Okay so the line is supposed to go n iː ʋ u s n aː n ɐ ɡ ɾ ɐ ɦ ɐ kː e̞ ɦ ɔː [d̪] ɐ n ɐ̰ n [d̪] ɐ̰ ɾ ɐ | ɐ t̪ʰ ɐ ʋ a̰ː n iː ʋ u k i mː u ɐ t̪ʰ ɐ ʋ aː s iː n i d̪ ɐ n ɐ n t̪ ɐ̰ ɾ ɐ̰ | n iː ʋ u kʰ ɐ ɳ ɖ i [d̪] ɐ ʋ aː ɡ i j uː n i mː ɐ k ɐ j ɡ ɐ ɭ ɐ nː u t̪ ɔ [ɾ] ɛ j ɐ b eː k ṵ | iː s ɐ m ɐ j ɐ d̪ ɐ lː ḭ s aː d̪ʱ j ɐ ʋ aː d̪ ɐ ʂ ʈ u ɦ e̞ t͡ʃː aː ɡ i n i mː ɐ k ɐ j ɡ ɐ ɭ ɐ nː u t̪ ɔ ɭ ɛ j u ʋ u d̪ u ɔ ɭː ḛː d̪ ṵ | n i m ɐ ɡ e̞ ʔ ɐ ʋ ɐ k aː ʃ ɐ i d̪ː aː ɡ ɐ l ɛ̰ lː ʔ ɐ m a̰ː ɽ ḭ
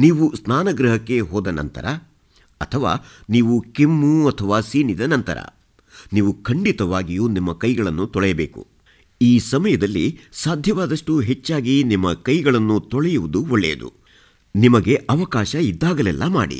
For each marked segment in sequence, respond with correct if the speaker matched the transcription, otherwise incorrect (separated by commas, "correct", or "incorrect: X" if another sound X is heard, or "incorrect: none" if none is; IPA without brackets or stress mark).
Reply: correct, incorrect: t̪, incorrect: t̪, incorrect: ɭ